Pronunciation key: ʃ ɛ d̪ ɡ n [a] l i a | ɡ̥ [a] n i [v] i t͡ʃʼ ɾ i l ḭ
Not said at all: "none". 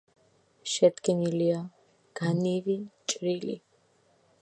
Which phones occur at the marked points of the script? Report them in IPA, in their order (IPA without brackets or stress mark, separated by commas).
i, a, v